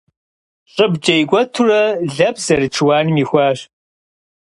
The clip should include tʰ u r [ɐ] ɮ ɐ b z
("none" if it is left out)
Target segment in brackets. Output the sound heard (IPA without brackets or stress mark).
ɐ